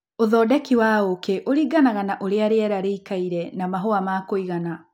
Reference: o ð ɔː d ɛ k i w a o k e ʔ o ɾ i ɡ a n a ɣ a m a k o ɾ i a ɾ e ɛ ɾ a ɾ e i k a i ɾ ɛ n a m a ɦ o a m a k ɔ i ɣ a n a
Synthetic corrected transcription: o ð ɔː d ɛ k i w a o k e ʔ o ɾ i ɡ a n a ɣ a n a ʔ o ɾ e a ɾ e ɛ ɾ a ɾ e i k a i ɾ ɛ n a m a ɦ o a m a k o i ɣ a n a